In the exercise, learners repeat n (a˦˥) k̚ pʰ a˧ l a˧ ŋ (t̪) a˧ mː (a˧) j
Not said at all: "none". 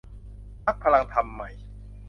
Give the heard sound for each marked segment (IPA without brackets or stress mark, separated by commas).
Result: a˦˥, t̪ʰ, a˨˩